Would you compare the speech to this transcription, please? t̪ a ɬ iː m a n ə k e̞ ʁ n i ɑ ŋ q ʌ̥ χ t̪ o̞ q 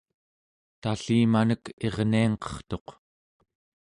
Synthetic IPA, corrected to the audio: t̪ a ɬ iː m a n ə k e̞ ʁ n i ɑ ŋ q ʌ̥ χ t̪ o̞ q